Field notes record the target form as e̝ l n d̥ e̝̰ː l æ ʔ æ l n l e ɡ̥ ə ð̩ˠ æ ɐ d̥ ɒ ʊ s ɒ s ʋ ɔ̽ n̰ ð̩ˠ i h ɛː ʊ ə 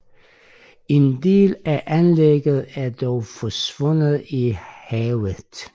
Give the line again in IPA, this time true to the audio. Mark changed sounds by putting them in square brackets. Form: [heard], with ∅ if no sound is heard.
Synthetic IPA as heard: e̝ [∅] n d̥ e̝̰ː l æ ʔ æ [∅] n l e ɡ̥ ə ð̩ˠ æ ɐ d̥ ɒ ʊ [f] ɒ s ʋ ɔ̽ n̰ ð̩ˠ i h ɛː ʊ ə